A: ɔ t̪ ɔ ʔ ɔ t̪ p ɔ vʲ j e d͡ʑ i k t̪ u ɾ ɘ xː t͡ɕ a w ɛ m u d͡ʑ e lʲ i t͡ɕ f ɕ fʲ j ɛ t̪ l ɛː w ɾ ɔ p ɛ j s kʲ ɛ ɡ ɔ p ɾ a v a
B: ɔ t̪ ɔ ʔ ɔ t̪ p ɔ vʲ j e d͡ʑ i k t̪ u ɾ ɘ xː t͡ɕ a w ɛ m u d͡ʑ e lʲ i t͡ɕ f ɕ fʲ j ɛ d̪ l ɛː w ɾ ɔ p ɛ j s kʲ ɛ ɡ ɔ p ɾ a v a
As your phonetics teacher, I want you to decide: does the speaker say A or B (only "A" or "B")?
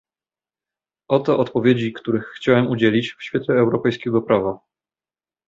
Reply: A